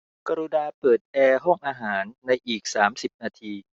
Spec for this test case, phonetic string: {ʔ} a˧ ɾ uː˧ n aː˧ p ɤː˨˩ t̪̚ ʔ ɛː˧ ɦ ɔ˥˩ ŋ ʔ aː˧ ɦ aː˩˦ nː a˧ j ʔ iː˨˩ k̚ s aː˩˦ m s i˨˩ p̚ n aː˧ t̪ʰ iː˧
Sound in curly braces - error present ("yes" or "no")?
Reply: yes